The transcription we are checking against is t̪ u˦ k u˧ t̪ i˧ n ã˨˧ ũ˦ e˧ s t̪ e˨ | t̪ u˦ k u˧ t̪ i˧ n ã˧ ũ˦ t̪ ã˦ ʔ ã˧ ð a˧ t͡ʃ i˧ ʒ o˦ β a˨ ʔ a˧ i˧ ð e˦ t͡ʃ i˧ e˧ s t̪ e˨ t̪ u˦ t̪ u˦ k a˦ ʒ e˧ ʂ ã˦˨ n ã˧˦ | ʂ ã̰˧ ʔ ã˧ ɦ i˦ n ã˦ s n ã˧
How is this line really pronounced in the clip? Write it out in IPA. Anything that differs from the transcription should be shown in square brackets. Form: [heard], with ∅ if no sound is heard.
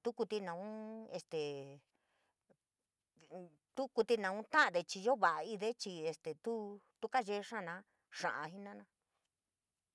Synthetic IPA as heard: t̪ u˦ k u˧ t̪ i˧ n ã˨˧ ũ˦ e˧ s t̪ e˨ | t̪ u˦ k u˧ t̪ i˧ n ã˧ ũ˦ t̪ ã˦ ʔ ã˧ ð [e˧] t͡ʃ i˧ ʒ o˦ β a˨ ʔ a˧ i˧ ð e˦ t͡ʃ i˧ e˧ s t̪ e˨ t̪ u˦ t̪ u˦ k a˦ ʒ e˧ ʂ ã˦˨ n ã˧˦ | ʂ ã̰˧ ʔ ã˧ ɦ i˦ n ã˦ [∅] n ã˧